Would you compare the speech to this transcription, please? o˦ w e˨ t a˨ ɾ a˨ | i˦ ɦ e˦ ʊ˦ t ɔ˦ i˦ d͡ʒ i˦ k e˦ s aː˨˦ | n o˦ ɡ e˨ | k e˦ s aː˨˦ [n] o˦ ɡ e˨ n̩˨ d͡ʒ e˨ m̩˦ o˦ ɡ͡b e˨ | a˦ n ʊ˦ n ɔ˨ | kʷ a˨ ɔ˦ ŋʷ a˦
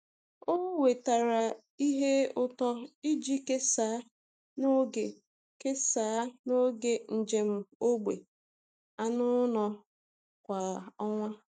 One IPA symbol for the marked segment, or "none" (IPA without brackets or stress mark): n